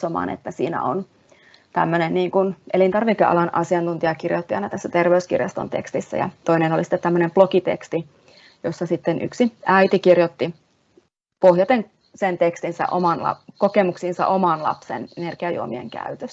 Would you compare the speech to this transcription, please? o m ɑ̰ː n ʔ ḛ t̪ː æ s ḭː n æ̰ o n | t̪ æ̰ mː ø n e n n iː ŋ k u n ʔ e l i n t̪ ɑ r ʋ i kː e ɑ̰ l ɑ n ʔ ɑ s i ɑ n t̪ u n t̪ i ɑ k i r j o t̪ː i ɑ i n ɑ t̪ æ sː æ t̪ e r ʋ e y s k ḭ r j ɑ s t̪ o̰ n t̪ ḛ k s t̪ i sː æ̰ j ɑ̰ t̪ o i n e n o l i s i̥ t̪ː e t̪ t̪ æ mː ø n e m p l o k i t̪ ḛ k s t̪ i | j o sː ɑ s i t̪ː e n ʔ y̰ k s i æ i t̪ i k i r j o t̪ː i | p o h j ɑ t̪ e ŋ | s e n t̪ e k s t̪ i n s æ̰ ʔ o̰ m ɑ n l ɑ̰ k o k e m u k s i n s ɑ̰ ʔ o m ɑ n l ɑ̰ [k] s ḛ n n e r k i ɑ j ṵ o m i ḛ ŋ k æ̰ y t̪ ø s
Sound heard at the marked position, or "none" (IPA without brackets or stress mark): p